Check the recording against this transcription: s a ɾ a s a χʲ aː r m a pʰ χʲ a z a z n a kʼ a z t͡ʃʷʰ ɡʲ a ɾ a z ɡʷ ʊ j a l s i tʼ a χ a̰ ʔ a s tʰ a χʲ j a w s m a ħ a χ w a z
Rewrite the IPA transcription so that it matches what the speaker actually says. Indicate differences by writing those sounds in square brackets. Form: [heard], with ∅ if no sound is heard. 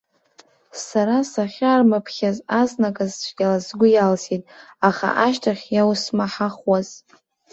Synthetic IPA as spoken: s a ɾ a s a χʲ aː r m a pʰ χʲ a z a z n a kʼ a z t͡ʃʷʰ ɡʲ a [l] a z ɡʷ ʊ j a l s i tʼ a χ a̰ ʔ a [ʃ] tʰ a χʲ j a w s m a ħ a χ w a z